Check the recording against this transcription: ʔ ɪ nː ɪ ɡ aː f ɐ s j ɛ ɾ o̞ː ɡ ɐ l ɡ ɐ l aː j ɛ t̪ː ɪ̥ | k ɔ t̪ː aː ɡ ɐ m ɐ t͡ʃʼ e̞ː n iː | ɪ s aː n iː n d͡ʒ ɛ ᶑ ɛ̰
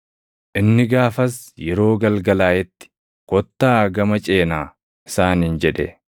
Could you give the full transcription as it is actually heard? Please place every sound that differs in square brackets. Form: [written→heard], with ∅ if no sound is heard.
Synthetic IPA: ʔ ɪ nː ɪ ɡ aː f ɐ s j ɛ ɾ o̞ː ɡ ɐ l ɡ ɐ l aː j ɛ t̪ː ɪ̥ | k ɔ t̪ː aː ɡ ɐ m ɐ t͡ʃʼ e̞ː n [iː→aː] | ɪ s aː n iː n d͡ʒ ɛ ᶑ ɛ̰

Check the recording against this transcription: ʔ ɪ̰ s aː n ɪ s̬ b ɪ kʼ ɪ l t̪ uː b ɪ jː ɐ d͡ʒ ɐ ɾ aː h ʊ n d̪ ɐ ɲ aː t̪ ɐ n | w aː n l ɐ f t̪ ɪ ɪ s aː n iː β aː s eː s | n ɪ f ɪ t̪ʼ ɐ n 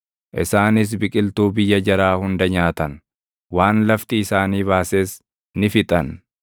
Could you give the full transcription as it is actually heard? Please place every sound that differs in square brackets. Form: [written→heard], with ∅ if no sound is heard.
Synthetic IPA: ʔ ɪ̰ s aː n ɪ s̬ b ɪ kʼ ɪ l t̪ uː b ɪ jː ɐ d͡ʒ ɐ ɾ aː h ʊ n d̪ ɐ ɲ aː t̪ ɐ n | w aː n l ɐ f t̪ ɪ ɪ s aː n iː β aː s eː s | n ɪ f ɪ t̪ʼ ɐ n

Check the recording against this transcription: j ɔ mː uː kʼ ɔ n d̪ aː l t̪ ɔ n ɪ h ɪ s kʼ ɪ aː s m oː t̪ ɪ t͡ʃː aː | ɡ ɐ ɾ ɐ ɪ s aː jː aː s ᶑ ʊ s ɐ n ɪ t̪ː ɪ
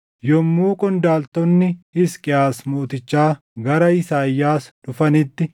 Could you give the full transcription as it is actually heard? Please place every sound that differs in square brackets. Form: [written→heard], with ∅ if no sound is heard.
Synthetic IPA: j ɔ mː uː kʼ ɔ n d̪ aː l t̪ ɔ [n→nː] ɪ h ɪ s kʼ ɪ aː s m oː t̪ ɪ t͡ʃː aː | ɡ ɐ ɾ ɐ ɪ s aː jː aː s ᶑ ʊ [s→f] ɐ n ɪ t̪ː ɪ

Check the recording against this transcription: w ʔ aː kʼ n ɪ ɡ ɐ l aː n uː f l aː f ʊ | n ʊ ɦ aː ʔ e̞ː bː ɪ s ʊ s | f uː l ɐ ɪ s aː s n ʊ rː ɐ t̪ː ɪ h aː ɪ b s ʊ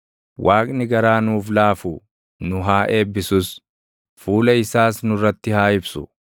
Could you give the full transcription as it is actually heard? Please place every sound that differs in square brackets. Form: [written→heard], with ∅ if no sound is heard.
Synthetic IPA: w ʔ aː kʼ n ɪ ɡ ɐ [l→ɾ] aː n uː f l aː f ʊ | n ʊ ɦ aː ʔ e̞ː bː ɪ s ʊ s | f uː l ɐ ɪ s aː s n ʊ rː ɐ t̪ː ɪ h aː ɪ b s ʊ

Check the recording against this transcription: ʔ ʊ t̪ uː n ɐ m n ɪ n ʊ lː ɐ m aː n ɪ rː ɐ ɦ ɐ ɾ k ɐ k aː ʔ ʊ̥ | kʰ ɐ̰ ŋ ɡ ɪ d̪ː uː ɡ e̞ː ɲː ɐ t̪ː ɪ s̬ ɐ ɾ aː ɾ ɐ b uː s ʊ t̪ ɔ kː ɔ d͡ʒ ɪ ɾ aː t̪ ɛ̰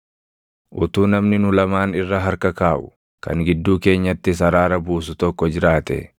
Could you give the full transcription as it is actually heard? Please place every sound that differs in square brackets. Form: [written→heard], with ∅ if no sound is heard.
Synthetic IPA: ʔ ʊ t̪ uː n ɐ m n ɪ n ʊ [lː→l] ɐ m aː n ɪ rː ɐ ɦ ɐ ɾ k ɐ k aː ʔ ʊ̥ | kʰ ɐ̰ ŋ ɡ ɪ d̪ː uː [ɡ→k] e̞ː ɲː ɐ t̪ː ɪ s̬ ɐ ɾ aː ɾ ɐ b uː s ʊ t̪ ɔ kː ɔ d͡ʒ ɪ ɾ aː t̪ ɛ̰

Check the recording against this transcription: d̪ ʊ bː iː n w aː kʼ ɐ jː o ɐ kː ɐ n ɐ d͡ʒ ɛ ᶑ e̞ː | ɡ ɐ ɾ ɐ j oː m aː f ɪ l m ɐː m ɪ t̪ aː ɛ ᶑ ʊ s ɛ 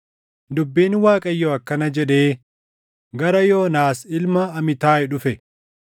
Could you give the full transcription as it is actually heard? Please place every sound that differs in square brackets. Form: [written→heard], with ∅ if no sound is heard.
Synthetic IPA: d̪ ʊ bː iː n w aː kʼ ɐ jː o ɐ kː ɐ n ɐ d͡ʒ ɛ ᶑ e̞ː | ɡ ɐ ɾ ɐ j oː [m→n] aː [f→s] ɪ l m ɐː m ɪ t̪ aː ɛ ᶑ ʊ [s→f] ɛ

